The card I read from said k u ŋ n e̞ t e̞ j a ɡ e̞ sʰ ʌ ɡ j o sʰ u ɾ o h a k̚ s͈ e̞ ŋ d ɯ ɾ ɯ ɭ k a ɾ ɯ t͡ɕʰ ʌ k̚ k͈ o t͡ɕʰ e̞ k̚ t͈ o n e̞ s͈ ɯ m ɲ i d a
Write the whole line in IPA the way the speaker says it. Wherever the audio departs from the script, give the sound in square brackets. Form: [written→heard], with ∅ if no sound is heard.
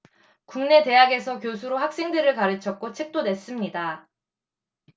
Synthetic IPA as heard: k u ŋ n e̞ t e̞ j a ɡ e̞ sʰ ʌ [ɡ→k] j o sʰ u ɾ o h a k̚ s͈ e̞ ŋ d ɯ ɾ ɯ ɭ k a ɾ ɯ t͡ɕʰ ʌ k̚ k͈ o t͡ɕʰ e̞ k̚ t͈ o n e̞ s͈ ɯ m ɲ i d a